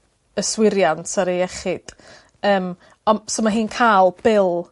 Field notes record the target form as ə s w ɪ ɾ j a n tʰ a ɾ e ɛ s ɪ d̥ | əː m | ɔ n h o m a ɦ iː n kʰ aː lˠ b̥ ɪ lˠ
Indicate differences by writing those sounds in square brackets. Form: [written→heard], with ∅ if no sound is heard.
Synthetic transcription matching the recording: ə s w ɪ ɾ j a n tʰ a ɾ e ɛ [s→χ] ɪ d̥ | əː m | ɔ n [h→s] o m a ɦ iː n kʰ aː lˠ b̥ ɪ lˠ